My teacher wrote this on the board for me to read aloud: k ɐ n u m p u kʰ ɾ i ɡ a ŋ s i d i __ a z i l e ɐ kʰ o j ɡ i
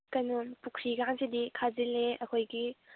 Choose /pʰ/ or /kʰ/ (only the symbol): kʰ